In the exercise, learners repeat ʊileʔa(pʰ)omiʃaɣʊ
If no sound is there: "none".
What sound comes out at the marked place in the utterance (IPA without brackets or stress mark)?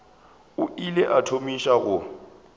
tʰ